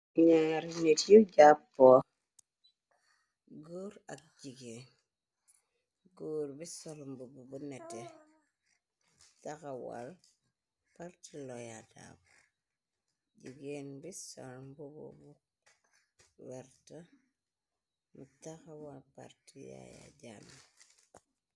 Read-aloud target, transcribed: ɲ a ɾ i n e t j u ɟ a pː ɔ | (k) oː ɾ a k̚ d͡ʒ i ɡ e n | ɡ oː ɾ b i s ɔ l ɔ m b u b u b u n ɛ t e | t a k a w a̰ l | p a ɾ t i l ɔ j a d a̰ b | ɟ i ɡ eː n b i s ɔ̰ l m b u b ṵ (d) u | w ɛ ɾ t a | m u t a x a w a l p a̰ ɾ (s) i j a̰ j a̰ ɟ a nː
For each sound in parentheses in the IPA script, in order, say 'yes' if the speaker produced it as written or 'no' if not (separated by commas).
no, no, no